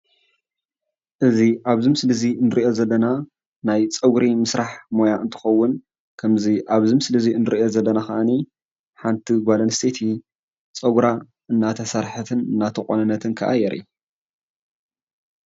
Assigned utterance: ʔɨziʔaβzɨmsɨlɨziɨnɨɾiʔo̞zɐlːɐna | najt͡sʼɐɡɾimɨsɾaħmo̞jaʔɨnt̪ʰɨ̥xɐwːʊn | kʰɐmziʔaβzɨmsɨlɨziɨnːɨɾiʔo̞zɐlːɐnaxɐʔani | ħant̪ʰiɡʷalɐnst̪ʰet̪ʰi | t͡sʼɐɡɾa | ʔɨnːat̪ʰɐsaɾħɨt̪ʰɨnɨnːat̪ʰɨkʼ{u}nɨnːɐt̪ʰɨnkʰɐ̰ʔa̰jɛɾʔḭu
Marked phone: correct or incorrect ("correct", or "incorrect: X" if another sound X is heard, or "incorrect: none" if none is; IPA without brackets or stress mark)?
incorrect: o